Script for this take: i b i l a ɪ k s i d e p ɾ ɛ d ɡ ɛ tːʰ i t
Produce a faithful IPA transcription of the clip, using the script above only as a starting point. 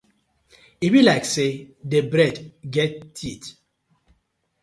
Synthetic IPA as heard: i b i l a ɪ k s e d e b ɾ ɛ d ɡ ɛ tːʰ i t